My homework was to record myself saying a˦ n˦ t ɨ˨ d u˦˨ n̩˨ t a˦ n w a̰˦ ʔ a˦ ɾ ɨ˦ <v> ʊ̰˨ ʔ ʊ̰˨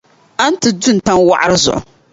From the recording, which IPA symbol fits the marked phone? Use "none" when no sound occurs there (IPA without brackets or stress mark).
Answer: z